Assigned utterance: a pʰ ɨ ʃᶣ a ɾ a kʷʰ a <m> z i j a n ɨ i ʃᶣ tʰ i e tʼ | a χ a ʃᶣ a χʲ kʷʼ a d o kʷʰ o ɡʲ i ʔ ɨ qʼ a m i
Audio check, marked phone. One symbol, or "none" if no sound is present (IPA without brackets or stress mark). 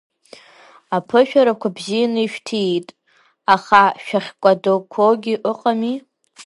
b